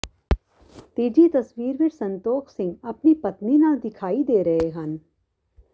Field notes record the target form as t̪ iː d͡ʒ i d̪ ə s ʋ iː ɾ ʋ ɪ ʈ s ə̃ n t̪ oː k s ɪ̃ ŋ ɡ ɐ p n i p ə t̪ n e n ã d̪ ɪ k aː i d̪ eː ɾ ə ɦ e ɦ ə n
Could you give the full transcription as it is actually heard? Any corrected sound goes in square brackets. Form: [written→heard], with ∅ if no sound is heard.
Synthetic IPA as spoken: t̪ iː d͡ʒ i [d̪→t̪] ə s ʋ iː ɾ ʋ ɪ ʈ s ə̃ n t̪ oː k s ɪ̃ ŋ ɡ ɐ p n i p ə t̪ n [e→i] n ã d̪ ɪ [k→kʰ] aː i d̪ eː ɾ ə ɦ e ɦ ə n